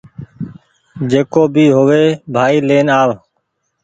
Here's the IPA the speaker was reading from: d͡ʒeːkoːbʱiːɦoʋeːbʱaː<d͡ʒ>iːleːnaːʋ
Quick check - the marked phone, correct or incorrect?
incorrect